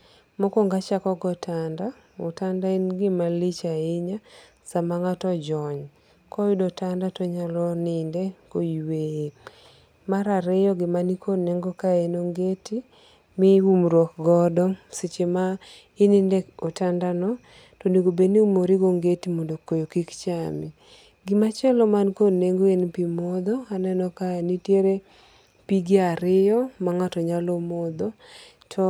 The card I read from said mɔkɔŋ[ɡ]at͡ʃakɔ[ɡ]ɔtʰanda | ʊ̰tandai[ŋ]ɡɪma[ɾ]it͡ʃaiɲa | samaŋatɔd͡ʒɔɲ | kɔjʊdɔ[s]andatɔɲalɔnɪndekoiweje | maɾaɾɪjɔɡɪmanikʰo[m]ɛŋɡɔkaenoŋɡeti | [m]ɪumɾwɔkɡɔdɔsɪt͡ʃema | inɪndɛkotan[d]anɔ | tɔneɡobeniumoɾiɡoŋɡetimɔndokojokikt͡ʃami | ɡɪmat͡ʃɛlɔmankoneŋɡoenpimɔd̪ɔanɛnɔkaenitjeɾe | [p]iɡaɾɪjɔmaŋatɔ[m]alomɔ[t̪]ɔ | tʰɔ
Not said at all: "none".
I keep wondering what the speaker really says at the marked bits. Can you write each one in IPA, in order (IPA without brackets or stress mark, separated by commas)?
ɡ, ɡ, n, l, t, n, m, d, p, ɲ, d̪